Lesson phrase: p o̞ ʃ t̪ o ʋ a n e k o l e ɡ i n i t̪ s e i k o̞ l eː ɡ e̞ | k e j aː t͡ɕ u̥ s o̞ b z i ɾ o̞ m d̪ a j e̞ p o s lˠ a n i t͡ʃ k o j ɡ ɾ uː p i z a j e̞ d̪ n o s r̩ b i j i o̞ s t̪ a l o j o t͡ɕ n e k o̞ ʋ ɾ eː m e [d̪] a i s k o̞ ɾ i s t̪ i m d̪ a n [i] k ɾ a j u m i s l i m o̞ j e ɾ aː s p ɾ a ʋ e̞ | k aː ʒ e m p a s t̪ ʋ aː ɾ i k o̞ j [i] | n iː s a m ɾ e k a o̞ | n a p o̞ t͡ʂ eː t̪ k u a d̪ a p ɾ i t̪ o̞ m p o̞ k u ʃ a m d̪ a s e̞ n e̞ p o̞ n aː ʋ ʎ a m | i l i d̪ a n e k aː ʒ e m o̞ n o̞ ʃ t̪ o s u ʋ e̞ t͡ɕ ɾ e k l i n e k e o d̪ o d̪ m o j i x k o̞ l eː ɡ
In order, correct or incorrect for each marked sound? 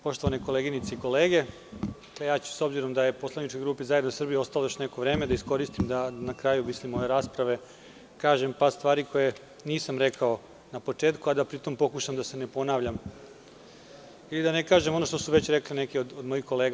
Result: correct, incorrect: a, incorrect: e

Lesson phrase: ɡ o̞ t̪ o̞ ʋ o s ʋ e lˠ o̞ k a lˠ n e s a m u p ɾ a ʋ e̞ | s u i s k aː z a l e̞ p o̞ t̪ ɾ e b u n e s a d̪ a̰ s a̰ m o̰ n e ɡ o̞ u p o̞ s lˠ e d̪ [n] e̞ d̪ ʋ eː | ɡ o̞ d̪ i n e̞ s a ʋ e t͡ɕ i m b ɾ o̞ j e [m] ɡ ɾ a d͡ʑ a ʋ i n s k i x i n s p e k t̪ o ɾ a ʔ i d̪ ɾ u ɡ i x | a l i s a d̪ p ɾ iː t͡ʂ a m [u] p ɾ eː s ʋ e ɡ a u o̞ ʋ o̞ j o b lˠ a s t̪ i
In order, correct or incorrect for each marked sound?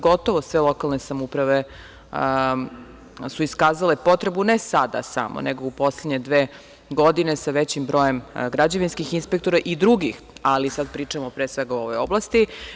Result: incorrect: ɲ, correct, incorrect: o

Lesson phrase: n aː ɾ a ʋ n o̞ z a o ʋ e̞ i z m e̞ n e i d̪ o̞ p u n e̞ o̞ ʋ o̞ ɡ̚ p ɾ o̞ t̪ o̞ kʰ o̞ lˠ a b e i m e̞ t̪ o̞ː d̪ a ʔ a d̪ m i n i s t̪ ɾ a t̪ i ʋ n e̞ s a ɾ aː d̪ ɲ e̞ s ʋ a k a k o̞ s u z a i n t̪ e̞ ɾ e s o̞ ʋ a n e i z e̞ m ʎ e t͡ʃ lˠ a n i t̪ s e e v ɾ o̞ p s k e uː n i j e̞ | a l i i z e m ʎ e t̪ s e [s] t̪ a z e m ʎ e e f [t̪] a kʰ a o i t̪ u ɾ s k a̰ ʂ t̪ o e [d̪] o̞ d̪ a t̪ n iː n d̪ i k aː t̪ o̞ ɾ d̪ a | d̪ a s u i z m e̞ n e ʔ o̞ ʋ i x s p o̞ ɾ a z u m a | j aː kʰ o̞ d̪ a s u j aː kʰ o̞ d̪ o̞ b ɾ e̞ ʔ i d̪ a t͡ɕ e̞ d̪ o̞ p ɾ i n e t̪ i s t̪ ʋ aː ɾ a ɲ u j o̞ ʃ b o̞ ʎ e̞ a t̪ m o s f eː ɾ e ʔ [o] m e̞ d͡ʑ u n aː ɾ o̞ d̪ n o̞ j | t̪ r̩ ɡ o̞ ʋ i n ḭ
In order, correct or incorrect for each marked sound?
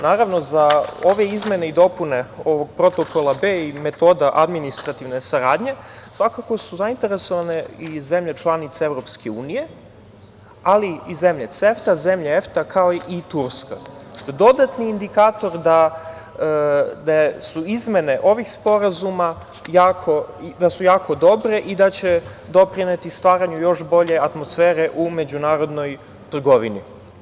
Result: incorrect: f, correct, correct, incorrect: u

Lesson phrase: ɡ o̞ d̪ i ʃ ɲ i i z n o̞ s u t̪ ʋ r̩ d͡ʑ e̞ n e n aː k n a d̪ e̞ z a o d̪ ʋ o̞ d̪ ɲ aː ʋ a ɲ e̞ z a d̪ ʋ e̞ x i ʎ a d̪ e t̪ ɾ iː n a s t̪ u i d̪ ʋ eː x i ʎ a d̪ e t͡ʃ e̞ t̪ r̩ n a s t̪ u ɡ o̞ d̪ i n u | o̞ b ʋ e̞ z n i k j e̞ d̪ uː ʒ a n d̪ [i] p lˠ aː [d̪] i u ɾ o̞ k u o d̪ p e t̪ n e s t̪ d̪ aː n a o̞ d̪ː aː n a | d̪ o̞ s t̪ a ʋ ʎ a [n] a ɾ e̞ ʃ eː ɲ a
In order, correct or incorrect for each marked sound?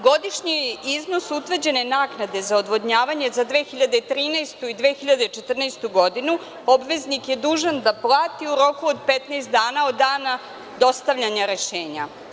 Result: incorrect: a, incorrect: t̪, incorrect: ɲ

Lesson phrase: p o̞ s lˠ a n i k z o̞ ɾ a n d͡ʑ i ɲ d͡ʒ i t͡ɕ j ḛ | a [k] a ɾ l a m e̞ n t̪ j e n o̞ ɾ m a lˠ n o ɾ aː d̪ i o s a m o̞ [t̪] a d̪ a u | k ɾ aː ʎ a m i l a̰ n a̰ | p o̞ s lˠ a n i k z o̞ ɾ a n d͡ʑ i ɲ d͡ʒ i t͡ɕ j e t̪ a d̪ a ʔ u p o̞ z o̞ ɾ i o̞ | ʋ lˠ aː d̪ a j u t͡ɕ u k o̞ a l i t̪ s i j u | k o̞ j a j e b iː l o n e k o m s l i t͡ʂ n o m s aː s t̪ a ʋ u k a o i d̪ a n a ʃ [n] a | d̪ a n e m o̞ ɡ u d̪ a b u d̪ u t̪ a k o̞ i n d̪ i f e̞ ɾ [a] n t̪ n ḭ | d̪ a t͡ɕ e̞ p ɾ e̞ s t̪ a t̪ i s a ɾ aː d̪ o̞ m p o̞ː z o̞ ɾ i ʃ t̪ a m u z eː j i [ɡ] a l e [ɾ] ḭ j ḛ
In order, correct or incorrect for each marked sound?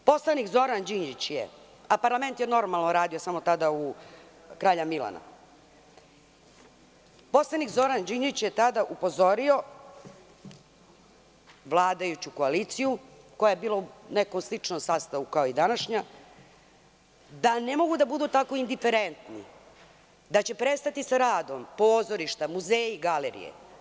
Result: incorrect: p, correct, incorrect: ɲ, incorrect: e, correct, correct

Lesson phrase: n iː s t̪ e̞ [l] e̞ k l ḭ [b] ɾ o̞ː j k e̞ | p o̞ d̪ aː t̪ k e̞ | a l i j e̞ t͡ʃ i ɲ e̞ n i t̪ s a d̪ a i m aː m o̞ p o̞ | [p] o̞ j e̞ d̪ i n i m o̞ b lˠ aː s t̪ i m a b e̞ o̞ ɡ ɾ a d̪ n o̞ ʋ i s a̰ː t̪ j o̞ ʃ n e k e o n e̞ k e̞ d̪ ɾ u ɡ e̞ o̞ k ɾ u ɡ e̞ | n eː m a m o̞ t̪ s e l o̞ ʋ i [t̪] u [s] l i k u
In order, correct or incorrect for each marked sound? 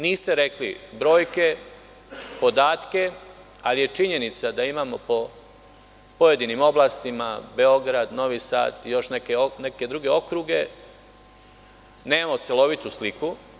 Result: incorrect: ɾ, correct, correct, correct, correct

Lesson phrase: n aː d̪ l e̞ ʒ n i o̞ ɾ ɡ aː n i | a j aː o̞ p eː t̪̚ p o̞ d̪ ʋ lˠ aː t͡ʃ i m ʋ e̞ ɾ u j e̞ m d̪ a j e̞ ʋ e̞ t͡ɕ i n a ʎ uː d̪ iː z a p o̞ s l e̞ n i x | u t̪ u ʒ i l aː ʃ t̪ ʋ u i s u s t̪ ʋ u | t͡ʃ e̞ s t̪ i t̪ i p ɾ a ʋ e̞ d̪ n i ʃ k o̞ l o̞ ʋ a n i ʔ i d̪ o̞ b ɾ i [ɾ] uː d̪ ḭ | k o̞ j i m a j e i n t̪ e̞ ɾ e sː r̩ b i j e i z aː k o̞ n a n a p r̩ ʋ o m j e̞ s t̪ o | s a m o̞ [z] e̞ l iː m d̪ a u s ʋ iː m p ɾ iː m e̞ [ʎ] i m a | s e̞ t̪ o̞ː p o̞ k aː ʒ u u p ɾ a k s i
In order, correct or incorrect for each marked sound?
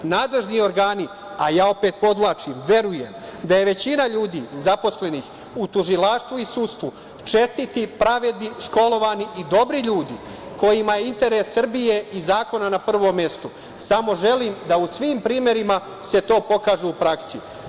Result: incorrect: ʎ, incorrect: ʒ, incorrect: ɾ

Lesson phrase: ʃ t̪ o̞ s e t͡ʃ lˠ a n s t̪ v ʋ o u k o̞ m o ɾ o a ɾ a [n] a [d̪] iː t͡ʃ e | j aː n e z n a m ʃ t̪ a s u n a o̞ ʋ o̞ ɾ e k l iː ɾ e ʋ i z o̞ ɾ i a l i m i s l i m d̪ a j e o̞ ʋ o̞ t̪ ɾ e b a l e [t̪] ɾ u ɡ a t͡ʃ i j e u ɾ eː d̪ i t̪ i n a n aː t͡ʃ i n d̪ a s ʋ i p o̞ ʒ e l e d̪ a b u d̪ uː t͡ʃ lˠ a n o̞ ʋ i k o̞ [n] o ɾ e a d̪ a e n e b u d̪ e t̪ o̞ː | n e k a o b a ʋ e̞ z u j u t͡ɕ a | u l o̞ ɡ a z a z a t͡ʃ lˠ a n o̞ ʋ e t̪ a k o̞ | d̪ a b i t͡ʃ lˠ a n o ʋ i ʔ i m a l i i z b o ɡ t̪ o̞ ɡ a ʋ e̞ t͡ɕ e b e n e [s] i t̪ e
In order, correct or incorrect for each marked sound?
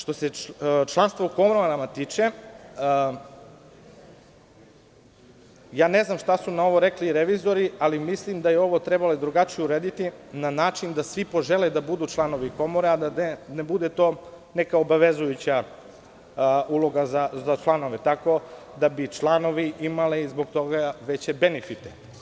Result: incorrect: m, incorrect: t̪, incorrect: d̪, incorrect: m, incorrect: f

